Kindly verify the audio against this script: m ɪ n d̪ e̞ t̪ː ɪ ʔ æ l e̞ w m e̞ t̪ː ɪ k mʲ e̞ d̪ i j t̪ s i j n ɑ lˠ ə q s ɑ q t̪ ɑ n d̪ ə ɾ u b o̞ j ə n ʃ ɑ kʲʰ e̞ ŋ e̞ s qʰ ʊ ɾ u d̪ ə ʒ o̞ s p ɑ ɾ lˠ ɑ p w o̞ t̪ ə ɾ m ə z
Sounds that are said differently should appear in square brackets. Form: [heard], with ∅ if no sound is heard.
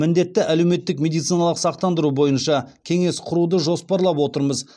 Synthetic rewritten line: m ɪ n d̪ e̞ t̪ː ɪ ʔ æ l e̞ w m e̞ t̪ː ɪ k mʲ e̞ d̪ i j t̪ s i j n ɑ lˠ ə q s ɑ q t̪ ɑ n d̪ ə ɾ u b o̞ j ə n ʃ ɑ kʲʰ e̞ ŋ e̞ s qʰ ʊ ɾ u d̪ ə ʒ o̞ s p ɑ ɾ lˠ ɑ p w o̞ t̪ ə ɾ m ə z